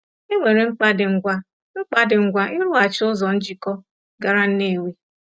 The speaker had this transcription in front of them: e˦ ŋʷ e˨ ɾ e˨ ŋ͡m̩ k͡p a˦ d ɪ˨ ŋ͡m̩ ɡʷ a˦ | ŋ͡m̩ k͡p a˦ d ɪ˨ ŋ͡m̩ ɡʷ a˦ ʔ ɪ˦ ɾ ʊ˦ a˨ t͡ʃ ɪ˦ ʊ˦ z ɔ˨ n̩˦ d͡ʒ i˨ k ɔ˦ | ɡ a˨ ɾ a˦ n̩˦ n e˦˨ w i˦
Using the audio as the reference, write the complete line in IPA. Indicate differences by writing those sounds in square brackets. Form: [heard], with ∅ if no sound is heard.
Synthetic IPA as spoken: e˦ ŋʷ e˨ ɾ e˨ ŋ͡m̩ k͡p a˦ d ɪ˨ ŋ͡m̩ ɡʷ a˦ | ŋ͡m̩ k͡p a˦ d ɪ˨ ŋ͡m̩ ɡʷ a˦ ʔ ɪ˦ ɾ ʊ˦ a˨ t͡ʃ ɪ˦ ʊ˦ z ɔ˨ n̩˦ d͡ʒ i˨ k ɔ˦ | ɡ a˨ ɾ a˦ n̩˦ n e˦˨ w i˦

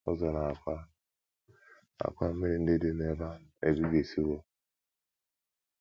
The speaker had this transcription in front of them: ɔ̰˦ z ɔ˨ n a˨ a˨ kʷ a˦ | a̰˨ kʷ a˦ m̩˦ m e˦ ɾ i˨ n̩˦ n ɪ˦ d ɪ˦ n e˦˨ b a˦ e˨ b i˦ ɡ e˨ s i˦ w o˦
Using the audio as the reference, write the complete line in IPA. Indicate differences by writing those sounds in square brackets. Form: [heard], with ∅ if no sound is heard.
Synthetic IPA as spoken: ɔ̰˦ z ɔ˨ n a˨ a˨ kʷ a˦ | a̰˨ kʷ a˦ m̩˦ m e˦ ɾ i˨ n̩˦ [d] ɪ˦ d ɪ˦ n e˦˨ b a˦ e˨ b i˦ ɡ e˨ s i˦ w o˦

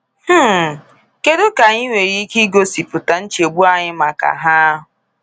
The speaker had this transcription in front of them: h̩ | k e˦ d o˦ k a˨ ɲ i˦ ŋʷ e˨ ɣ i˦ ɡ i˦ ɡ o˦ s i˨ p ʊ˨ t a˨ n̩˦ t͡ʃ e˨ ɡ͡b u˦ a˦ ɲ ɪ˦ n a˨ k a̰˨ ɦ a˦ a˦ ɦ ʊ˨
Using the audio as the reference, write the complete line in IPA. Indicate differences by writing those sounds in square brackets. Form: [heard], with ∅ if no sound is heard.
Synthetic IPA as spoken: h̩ | k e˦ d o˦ k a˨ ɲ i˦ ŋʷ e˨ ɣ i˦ [k] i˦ ɡ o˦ s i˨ p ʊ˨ t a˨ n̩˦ t͡ʃ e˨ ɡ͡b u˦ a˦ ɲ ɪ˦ [m] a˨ k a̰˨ ɦ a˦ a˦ ɦ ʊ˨

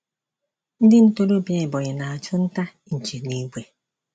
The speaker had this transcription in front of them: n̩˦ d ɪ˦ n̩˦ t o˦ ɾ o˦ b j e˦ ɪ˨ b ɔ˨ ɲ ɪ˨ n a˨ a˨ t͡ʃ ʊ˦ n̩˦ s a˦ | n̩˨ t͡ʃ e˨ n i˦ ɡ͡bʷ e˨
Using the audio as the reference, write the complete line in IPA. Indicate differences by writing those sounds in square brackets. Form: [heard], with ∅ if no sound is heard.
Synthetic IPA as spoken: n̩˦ d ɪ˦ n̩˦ t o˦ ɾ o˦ b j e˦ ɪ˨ b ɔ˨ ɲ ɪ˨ n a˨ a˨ t͡ʃ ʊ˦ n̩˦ [t] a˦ | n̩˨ t͡ʃ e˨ n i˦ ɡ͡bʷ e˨

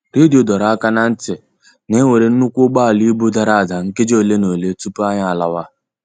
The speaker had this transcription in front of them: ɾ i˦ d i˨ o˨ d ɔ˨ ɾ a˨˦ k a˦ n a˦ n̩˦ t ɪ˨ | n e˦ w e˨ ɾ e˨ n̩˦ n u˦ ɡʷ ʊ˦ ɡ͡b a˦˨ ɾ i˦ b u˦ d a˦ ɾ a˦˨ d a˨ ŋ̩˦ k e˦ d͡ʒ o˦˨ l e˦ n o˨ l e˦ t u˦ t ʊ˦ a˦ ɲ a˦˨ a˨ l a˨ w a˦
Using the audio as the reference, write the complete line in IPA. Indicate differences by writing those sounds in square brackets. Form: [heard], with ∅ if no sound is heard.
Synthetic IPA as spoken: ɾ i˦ d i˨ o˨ d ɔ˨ ɾ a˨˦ k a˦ n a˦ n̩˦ t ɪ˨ | n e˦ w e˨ ɾ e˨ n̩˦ n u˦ [kʷ] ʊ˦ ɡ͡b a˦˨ [l] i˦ b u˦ d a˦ ɾ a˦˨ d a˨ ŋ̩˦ k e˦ d͡ʒ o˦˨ l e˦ n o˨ l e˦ t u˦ [p] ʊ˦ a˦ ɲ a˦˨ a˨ l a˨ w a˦

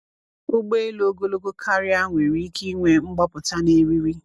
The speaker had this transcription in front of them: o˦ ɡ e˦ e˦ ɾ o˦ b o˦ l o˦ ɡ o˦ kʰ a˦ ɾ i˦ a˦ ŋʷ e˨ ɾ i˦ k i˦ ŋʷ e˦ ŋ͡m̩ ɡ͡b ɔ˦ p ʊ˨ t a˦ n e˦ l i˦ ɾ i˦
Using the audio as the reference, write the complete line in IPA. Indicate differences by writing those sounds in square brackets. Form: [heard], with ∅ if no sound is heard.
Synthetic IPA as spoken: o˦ [ɡ͡b] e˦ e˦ [l] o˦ [ɡ] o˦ l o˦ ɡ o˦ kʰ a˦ ɾ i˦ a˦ ŋʷ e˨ ɾ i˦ k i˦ ŋʷ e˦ ŋ͡m̩ ɡ͡b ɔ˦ p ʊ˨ t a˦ n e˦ [ɾ] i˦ ɾ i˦

